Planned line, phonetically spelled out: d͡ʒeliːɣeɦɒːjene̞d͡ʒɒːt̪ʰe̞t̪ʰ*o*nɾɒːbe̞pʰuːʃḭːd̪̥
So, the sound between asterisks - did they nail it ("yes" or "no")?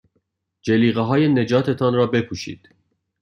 no